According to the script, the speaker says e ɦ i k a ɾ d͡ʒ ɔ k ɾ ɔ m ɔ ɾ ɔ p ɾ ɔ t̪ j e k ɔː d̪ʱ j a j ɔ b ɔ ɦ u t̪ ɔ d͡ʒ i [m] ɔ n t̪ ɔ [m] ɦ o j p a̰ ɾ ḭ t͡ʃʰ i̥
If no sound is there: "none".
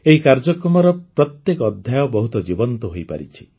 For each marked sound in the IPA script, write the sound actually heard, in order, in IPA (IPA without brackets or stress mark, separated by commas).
b, none